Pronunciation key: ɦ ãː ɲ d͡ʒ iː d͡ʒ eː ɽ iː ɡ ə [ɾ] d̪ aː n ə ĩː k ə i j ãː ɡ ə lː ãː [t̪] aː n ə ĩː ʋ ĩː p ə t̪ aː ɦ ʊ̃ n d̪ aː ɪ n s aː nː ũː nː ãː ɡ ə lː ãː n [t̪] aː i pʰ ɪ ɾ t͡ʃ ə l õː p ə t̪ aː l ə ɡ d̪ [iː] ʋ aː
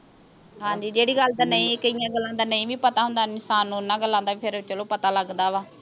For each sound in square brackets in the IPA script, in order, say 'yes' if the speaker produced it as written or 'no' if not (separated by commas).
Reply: no, no, no, no